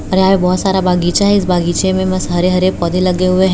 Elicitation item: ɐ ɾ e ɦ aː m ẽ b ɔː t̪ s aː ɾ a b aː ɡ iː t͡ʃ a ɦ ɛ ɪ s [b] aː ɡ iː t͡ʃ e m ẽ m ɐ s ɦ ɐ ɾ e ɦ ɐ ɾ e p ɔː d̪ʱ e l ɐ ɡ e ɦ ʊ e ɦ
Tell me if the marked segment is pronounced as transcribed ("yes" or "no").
yes